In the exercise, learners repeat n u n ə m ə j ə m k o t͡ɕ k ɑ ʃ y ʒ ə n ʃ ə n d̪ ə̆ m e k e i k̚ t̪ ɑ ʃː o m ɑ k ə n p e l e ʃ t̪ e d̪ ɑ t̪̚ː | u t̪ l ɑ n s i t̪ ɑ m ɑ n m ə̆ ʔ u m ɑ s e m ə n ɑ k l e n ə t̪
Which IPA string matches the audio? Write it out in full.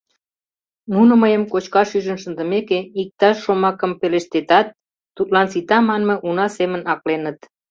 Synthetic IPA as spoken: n u n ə m ə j ə m k o t͡ɕ k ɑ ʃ y ʒ ə n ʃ ə n d̪ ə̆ m e k e i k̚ t̪ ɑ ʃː o m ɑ k ə m p e l e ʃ t̪ e t̪ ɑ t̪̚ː | u t̪ l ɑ n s i t̪ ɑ m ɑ n m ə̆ ʔ u n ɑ s e m ə n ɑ k l e n ə t̪